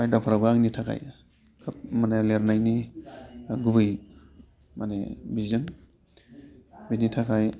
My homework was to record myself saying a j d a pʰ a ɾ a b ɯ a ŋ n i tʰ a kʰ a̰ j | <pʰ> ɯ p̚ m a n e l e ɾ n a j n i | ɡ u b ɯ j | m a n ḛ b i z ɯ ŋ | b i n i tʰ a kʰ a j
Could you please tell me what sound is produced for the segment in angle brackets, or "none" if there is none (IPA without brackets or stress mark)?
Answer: kʰ